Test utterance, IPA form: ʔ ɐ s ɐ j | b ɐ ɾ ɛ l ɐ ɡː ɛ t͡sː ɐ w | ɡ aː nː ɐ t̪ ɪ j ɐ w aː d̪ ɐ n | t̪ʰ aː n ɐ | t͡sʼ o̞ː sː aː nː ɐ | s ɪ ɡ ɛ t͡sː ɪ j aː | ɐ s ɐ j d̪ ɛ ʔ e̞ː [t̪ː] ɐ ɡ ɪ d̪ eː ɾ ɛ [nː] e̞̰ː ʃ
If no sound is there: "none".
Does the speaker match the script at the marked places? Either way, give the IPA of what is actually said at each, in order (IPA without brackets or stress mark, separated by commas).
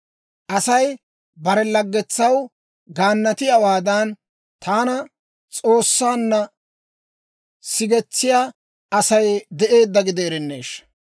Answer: d̪ː, nː